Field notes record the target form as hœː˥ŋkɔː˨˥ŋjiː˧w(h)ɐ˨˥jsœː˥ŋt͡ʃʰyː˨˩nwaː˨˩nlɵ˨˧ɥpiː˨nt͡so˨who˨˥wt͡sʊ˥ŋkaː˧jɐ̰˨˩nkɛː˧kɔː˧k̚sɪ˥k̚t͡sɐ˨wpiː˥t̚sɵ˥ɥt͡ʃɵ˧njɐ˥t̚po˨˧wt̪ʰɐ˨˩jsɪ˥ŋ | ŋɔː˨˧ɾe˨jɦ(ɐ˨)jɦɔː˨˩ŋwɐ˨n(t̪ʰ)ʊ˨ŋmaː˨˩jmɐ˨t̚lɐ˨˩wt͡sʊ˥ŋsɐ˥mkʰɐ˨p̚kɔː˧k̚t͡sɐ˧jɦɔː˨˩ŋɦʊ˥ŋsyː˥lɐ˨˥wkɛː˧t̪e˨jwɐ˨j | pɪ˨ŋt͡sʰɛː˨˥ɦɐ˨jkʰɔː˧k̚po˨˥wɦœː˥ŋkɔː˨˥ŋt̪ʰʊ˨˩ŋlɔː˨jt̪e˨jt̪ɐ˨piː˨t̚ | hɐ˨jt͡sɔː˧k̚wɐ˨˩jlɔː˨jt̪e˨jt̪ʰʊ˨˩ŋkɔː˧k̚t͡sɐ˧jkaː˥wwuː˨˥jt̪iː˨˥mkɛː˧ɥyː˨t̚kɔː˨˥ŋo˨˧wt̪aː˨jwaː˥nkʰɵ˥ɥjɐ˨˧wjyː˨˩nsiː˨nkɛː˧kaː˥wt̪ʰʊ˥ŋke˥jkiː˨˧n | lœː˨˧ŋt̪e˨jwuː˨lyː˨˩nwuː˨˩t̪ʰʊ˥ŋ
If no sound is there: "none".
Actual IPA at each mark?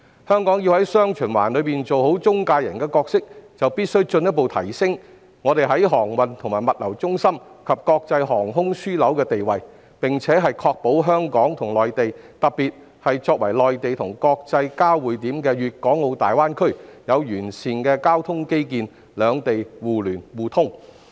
h, ɐ˨˥, t̪ʰ

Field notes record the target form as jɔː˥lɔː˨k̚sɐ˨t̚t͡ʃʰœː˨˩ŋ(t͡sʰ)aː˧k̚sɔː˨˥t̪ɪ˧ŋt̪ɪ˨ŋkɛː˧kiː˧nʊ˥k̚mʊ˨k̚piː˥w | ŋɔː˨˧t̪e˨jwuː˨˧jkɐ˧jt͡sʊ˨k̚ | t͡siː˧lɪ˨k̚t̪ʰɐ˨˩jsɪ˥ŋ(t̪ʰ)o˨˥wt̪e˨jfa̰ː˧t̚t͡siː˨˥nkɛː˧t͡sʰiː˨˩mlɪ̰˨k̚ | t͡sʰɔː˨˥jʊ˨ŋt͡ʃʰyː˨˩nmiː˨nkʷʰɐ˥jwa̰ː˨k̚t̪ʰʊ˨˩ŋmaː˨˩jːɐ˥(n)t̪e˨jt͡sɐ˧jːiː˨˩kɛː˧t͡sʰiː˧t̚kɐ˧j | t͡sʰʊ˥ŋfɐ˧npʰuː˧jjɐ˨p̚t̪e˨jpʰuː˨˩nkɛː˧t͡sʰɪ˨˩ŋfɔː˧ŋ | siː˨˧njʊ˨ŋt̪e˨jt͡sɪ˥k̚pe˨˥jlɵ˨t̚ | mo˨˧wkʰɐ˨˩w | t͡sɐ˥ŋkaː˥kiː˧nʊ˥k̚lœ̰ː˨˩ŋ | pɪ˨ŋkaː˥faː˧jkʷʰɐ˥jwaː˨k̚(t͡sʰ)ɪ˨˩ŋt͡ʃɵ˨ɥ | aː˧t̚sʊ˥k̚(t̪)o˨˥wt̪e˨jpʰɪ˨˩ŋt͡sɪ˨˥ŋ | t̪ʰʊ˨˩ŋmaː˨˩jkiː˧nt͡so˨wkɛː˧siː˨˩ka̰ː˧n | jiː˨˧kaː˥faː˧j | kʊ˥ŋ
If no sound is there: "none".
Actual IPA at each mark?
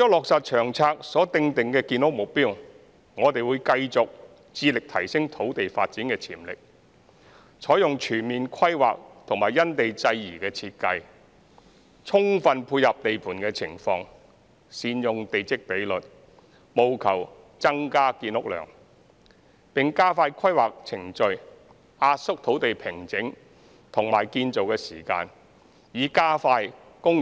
t͡sʰ, t̪ʰ, n, t͡sʰ, t̪ʰ

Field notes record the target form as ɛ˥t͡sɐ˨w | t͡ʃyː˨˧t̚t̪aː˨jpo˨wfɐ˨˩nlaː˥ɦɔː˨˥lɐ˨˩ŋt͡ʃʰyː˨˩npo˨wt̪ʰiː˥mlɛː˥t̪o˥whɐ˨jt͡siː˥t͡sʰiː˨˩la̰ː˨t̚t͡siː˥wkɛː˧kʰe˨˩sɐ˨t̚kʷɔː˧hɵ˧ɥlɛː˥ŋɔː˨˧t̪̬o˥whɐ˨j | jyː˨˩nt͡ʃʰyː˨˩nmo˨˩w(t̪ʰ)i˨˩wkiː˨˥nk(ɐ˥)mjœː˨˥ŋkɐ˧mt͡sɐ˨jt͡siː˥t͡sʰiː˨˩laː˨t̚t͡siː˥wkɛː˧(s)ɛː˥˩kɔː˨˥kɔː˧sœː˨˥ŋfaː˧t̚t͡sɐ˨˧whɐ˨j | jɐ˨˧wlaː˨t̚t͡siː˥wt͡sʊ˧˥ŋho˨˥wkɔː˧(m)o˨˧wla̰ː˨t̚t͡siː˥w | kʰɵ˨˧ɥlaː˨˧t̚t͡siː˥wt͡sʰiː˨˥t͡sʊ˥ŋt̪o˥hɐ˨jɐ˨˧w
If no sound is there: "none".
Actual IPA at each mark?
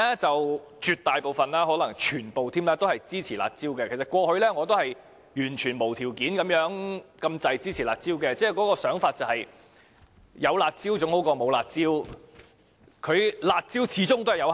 t̪ʰ, ɐ˨˥, t͡s, m

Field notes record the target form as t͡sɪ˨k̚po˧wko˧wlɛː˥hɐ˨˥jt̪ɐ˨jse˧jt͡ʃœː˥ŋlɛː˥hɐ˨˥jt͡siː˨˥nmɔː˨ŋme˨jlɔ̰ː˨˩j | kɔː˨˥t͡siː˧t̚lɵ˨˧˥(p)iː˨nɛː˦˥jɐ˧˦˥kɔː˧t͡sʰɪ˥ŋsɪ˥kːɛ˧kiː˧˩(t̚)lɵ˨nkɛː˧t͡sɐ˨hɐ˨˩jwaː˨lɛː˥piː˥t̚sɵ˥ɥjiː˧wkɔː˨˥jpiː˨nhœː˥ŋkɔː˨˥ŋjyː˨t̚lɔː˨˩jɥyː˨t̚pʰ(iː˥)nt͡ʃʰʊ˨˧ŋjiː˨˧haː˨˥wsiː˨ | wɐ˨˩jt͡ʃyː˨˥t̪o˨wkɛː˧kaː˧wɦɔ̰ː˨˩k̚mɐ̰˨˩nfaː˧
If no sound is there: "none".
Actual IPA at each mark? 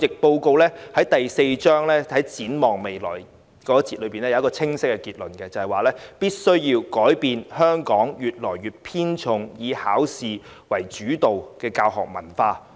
p, t̚, iː˥

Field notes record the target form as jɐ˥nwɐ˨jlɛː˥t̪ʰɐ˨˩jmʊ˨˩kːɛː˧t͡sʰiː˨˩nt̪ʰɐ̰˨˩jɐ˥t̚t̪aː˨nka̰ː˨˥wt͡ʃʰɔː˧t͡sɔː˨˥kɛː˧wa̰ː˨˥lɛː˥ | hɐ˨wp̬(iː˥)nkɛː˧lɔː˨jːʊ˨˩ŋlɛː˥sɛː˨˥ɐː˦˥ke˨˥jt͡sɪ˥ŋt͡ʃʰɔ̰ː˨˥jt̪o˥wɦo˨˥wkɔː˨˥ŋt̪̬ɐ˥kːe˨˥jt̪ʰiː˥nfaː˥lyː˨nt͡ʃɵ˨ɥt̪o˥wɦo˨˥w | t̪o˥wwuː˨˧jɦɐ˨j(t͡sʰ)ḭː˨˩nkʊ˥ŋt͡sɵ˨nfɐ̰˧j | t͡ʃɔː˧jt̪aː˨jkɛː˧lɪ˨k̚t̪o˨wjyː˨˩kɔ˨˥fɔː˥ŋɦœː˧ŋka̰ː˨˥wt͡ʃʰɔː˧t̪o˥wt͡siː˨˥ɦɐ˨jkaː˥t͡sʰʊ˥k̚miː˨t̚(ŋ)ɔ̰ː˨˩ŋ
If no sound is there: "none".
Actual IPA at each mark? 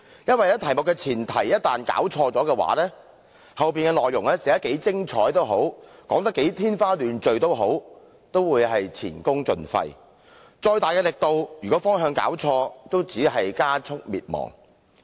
iː˨, t͡sʰ, m

